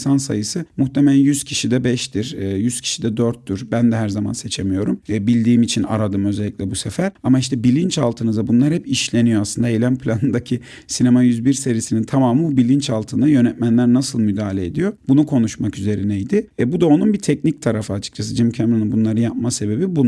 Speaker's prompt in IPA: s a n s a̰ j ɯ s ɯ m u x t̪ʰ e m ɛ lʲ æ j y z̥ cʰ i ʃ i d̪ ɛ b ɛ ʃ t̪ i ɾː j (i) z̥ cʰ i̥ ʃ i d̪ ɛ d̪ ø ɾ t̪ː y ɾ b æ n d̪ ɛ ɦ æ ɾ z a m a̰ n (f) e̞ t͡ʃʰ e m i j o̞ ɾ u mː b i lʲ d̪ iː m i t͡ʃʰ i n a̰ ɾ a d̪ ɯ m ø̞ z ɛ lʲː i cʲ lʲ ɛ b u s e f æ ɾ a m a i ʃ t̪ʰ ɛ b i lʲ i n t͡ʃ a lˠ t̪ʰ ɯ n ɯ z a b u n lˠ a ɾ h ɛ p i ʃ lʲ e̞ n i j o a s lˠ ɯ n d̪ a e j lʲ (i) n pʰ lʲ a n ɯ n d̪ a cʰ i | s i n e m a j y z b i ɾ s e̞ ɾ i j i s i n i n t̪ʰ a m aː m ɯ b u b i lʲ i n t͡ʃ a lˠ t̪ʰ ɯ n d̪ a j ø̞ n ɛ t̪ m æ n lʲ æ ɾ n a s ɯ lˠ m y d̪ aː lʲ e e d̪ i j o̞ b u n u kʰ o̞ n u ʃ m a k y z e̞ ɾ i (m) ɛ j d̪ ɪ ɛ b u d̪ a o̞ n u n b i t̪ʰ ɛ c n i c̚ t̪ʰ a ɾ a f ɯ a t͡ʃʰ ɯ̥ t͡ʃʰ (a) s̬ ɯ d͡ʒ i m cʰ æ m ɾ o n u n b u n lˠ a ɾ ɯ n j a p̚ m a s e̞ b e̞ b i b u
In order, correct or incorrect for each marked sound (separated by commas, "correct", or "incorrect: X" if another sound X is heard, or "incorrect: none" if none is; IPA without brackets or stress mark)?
incorrect: y, incorrect: s, incorrect: æ, incorrect: n, correct